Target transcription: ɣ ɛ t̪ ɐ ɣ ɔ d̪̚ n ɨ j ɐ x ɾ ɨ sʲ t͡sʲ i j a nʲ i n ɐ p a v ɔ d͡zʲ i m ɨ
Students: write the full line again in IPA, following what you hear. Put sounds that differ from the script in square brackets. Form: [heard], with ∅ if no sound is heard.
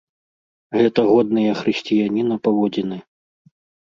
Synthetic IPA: ɣ ɛ t̪ ɐ ɣ ɔ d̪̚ n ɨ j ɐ x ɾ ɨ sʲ t͡sʲ i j a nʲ i n ɐ p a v ɔ d͡zʲ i [n] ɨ